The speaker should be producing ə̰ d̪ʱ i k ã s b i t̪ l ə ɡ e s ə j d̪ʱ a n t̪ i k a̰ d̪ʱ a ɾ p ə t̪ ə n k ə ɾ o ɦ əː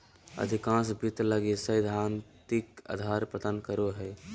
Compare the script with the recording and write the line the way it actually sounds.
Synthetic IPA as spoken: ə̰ d̪ʱ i k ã s b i t̪ l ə ɡ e s ə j d̪ʱ a n t̪ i k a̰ d̪ʱ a ɾ p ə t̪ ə n k ə ɾ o ɦ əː